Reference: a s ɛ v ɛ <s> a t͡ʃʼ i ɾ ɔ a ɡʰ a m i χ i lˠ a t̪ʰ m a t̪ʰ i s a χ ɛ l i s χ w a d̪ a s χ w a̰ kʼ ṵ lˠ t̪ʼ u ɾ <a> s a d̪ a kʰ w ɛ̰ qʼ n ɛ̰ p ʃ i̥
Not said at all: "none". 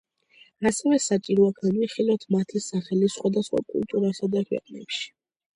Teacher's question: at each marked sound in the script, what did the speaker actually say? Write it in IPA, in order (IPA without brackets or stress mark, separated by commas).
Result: s, a